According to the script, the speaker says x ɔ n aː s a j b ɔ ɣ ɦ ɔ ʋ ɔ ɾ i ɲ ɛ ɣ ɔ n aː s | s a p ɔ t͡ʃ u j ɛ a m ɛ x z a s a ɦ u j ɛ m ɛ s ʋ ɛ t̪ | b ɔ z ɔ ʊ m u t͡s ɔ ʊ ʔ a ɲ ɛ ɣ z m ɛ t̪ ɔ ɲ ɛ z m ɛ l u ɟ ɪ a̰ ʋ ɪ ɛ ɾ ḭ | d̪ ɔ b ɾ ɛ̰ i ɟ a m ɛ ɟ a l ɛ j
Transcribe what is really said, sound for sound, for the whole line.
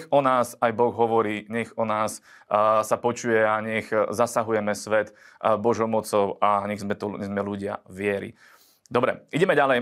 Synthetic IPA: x ɔ n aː s a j b ɔ ɣ ɦ ɔ ʋ ɔ ɾ iː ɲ ɛ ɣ ɔ n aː s | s a p ɔ t͡ʃ u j ɛ a ɲ ɛ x z a s a ɦ u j ɛ m ɛ s ʋ ɛ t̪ | b ɔ ʒ ɔ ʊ m ɔ t͡s ɔ ʊ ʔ a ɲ ɛ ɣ z m ɛ t̪ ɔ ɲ ɛ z m ɛ l u ɟ ɪ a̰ ʋ ɪ ɛ ɾ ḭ | d̪ ɔ b ɾ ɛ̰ i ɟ ɛ m ɛ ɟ a l ɛ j